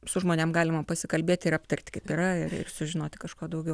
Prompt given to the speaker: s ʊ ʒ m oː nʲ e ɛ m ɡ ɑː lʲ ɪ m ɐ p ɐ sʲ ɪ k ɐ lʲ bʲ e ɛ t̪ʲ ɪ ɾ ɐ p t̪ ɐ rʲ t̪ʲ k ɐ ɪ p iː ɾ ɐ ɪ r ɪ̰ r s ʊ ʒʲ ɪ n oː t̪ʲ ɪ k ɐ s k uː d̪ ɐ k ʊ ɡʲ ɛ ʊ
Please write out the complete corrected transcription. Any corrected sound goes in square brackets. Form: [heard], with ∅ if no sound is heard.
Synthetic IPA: s ʊ ʒ m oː nʲ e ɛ m ɡ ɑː lʲ ɪ m ɐ p ɐ sʲ ɪ k ɐ lʲ bʲ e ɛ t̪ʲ ɪ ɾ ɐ p t̪ ɐ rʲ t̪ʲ k ɐ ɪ p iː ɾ ɐ ɪ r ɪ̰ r s ʊ ʒʲ ɪ n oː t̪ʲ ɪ k ɐ [ʃ] k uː d̪ ɐ [∅] ʊ ɡʲ ɛ ʊ